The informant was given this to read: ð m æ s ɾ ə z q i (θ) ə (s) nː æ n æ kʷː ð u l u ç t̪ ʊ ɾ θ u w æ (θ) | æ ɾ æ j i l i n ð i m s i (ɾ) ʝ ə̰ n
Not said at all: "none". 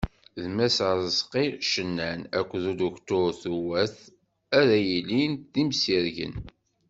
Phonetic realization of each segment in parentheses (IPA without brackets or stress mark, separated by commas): ʃ, none, θ, ɾ